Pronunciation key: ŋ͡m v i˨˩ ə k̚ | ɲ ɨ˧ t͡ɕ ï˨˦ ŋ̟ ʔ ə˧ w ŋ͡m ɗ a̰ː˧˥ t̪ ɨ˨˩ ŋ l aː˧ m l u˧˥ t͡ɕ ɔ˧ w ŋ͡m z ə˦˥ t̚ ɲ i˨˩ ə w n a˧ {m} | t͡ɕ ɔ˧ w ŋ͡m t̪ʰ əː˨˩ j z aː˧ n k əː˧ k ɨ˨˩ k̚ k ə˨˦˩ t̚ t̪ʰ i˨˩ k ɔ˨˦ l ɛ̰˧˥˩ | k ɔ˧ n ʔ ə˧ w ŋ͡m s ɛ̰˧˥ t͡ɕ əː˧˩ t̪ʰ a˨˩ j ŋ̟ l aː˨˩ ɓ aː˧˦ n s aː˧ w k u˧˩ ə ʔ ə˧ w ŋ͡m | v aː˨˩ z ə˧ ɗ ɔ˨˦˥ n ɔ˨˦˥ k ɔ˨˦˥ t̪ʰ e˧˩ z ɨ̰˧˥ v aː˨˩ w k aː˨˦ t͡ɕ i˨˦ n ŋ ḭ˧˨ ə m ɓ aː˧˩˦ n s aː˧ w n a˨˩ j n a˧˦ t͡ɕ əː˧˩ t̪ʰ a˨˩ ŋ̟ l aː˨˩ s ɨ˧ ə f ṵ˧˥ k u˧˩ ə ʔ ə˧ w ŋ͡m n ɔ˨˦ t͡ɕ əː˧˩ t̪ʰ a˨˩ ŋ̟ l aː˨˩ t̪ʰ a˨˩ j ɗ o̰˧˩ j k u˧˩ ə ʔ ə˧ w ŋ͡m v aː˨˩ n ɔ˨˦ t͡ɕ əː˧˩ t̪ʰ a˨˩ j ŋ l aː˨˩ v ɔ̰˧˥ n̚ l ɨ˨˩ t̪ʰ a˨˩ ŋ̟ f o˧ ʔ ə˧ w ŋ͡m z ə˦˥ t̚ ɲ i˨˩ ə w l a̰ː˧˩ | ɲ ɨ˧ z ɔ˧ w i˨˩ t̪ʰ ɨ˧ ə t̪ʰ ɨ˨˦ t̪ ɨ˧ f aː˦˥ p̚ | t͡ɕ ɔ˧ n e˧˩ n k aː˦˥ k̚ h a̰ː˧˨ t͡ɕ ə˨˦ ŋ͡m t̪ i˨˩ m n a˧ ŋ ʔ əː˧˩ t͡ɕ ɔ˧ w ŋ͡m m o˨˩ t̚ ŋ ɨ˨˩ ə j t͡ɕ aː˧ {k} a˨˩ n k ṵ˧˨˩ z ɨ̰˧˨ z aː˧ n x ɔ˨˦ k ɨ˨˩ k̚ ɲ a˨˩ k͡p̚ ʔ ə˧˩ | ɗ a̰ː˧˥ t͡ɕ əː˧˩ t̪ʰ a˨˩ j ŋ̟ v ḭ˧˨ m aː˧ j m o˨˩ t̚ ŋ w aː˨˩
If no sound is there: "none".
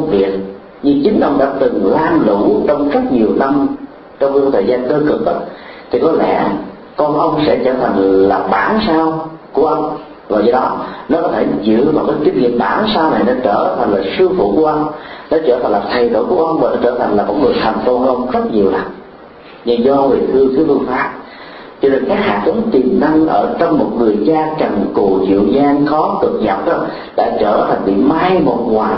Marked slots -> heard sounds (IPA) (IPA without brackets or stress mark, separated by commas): m, k